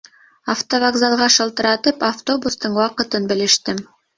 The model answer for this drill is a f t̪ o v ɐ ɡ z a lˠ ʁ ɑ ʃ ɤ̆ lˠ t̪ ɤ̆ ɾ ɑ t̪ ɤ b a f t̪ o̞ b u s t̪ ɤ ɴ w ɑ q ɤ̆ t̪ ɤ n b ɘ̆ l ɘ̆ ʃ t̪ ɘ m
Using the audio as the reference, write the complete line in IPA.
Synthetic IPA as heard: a f t̪ o v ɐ ɡ z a lˠ ʁ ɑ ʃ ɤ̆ lˠ t̪ ɤ̆ ɾ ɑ t̪ ɤ p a f t̪ o̞ b u s t̪ ɤ ɴ w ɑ q ɤ̆ t̪ ɤ n b ɘ̆ l ɘ̆ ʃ t̪ ɘ m